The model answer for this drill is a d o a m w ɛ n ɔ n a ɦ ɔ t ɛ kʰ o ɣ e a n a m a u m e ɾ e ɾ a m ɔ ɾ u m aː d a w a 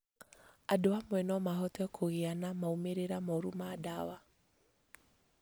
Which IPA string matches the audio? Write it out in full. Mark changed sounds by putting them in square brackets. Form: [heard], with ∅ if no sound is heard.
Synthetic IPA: a d o a m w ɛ n ɔ [m] a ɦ ɔ t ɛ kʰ o ɣ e a n a m a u m e ɾ e ɾ a m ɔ ɾ u m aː d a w a